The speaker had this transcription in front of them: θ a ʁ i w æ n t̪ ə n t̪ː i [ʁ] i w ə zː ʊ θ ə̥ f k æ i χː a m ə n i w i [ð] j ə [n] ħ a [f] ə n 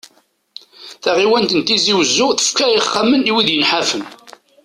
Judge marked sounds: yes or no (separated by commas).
no, yes, yes, yes